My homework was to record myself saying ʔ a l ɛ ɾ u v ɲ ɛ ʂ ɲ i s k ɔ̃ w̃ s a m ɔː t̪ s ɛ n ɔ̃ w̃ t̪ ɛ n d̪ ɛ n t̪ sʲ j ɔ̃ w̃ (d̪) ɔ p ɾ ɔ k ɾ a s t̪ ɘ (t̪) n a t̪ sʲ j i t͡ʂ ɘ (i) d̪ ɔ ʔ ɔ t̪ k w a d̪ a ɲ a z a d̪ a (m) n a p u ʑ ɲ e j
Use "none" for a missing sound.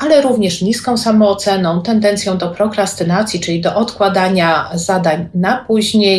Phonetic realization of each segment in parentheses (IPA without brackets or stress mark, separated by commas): d̪, none, i, ɲ